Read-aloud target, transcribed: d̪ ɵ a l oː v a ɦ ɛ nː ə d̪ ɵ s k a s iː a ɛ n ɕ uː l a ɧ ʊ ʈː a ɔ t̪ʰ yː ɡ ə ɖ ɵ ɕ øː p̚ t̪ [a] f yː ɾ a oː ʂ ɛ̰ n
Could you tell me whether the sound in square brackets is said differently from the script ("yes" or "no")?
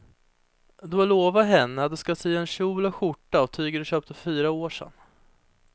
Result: yes